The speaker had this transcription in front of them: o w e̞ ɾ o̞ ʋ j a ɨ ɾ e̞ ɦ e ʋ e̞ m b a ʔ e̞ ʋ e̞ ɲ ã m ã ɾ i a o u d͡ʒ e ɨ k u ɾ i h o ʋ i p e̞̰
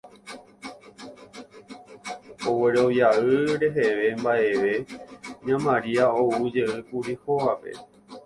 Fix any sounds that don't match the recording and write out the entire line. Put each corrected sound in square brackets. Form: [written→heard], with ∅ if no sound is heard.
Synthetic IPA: o w e̞ ɾ o̞ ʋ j a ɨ ɾ e̞ ɦ e ʋ e̞ m b a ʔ e̞ ʋ e̞ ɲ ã m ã ɾ i a o u d͡ʒ e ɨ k u ɾ i h o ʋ [i→a] p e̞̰